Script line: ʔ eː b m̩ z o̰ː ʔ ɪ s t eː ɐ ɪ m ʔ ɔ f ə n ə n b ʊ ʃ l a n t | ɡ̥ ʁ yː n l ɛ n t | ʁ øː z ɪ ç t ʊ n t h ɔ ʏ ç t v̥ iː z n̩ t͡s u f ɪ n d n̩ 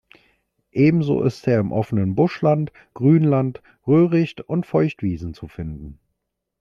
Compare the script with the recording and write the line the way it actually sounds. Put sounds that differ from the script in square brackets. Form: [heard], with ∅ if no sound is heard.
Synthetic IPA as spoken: ʔ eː b m̩ z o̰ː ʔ ɪ s t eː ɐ ɪ m ʔ ɔ f ə n ə n b ʊ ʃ l a n t | ɡ̥ ʁ yː n l [a] n t | ʁ øː [ʁ] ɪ ç t ʊ n t [f] ɔ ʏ ç t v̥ iː z n̩ t͡s u f ɪ n d n̩